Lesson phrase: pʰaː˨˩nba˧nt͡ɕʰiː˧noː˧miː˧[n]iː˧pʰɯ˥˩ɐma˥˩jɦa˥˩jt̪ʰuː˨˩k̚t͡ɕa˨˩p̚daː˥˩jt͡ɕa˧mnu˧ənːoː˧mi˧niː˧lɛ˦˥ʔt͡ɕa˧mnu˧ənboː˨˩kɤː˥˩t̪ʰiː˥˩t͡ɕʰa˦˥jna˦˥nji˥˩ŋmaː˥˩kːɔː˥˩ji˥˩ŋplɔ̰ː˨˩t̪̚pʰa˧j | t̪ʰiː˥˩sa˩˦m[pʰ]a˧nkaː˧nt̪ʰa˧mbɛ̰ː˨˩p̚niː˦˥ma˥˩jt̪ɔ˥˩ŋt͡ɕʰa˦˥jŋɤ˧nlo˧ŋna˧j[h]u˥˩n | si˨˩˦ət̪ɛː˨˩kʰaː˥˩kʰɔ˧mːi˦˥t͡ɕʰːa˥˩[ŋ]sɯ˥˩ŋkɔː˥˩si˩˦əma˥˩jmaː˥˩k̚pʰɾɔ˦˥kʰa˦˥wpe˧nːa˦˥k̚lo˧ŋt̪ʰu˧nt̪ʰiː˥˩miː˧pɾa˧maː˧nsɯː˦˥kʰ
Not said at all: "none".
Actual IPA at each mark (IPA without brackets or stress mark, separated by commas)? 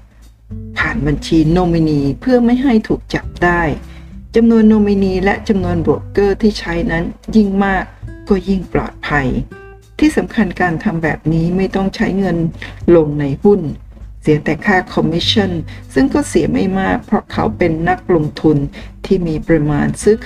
n, kʰ, h, n